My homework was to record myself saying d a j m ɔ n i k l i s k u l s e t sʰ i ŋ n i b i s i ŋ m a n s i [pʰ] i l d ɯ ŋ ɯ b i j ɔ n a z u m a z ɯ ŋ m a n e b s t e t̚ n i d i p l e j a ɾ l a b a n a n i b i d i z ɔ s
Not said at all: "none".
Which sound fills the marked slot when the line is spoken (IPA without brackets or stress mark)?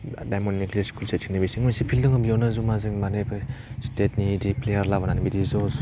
pʰ